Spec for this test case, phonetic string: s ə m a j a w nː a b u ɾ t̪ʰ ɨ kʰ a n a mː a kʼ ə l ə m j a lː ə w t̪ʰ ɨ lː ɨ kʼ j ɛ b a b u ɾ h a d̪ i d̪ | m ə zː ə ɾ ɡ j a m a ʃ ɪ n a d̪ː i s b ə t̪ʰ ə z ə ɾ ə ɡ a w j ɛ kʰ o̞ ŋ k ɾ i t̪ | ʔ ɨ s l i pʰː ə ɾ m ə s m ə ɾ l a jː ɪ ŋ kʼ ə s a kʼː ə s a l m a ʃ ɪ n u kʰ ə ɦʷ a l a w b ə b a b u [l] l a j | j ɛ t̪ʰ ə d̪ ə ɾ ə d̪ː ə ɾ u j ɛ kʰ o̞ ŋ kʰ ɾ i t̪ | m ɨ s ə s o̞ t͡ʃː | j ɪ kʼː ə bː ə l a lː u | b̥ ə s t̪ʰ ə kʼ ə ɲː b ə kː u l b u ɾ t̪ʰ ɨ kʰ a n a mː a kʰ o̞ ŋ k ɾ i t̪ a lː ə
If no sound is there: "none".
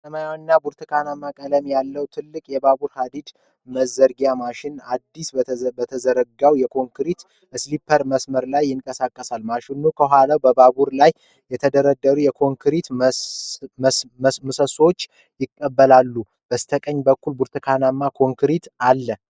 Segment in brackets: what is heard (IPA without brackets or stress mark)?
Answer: ɾ